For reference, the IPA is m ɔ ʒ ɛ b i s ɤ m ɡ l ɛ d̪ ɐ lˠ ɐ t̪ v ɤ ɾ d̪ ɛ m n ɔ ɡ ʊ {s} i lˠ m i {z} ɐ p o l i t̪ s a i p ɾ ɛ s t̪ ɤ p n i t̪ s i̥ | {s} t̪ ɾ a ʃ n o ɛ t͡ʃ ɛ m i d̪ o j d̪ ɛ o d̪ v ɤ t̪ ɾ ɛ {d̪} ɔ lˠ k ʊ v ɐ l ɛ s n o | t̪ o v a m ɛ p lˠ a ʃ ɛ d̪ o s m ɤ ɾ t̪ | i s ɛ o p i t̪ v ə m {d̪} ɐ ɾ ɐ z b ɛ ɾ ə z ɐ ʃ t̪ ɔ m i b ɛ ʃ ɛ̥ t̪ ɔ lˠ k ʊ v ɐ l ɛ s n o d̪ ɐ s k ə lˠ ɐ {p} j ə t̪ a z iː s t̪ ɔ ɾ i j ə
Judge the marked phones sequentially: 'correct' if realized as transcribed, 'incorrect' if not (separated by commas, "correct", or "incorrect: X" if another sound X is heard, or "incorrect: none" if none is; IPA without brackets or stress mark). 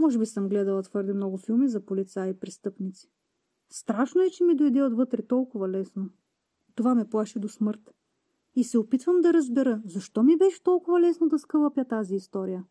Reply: incorrect: f, correct, correct, incorrect: t̪, correct, correct